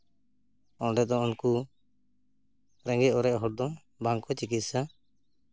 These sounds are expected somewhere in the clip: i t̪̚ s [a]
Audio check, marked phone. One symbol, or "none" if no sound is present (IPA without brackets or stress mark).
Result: a